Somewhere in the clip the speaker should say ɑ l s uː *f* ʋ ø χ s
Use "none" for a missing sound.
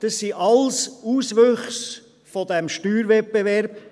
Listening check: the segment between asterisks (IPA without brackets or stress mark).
s